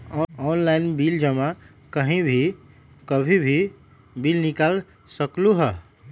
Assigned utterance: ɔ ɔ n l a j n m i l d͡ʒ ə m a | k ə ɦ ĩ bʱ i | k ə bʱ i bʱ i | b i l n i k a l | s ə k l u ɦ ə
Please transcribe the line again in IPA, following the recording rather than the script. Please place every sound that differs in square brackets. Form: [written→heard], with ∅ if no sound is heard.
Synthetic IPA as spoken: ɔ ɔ n l a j n [m→b] i l d͡ʒ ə m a | k ə ɦ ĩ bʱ i | k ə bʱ i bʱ i | b i l n i k a l | s ə k l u ɦ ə